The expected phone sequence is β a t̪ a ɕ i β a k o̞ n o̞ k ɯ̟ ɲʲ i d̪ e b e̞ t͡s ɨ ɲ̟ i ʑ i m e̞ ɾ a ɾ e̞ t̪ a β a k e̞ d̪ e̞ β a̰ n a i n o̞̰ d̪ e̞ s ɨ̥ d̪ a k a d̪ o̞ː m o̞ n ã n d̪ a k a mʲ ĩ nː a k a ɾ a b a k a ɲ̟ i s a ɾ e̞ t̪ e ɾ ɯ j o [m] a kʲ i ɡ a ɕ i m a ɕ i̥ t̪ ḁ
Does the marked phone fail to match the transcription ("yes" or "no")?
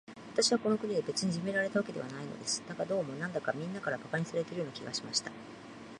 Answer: yes